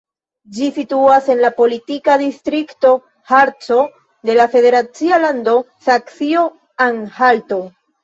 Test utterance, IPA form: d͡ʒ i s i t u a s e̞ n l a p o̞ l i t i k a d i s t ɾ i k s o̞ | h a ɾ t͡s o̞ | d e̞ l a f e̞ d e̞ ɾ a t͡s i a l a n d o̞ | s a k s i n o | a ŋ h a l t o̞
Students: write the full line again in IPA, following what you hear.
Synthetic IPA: d͡ʒ i s i t u a s e̞ n l a p o̞ l i t i k a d i s t ɾ i k t o̞ | h a ɾ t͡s o̞ | d e̞ l a f e̞ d e̞ ɾ a t͡s i a l a n d o̞ | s a k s i o | a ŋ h a l t o̞